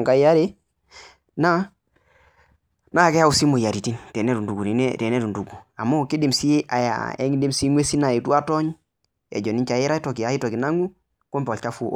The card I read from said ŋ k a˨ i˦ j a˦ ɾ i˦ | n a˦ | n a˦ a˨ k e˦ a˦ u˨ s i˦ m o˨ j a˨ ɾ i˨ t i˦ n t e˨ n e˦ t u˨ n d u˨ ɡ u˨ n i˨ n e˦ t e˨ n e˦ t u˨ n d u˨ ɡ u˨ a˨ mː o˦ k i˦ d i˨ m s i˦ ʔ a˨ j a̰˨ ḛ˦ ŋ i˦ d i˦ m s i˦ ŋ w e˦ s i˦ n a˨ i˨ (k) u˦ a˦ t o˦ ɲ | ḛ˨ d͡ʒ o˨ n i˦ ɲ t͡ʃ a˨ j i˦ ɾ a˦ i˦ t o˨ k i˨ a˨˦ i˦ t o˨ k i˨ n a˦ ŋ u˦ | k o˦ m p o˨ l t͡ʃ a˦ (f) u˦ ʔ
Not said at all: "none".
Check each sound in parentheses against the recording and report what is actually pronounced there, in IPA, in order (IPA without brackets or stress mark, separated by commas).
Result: t, f